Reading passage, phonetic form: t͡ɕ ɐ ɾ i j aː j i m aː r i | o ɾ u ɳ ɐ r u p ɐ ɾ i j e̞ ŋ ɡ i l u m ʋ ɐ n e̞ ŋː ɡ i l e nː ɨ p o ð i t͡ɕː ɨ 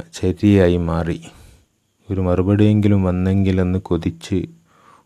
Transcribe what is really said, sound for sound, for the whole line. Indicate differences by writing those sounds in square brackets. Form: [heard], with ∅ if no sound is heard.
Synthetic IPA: t͡ɕ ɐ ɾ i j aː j i m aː r i | o ɾ u [m] ɐ r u [b] ɐ [ɽ] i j e̞ ŋ ɡ i l u m ʋ ɐ [nː] e̞ [ŋ] ɡ i l e nː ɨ [k] o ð i t͡ɕː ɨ